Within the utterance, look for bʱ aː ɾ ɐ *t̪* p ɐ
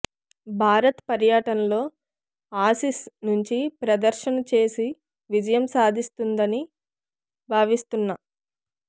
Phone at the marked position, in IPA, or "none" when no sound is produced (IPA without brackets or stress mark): t̪